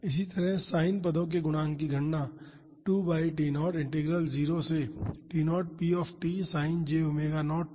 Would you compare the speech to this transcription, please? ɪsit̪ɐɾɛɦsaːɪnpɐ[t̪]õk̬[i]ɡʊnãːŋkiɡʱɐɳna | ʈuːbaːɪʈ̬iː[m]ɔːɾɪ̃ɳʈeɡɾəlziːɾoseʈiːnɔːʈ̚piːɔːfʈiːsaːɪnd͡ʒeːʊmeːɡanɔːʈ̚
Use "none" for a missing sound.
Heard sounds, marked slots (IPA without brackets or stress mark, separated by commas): d̪, e, n